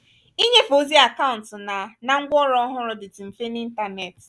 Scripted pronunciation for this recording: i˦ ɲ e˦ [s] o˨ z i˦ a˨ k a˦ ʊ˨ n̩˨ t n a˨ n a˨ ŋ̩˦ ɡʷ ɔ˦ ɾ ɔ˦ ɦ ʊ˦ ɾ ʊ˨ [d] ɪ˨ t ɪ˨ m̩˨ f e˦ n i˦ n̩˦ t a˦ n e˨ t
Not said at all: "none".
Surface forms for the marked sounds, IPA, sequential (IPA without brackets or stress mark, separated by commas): f, d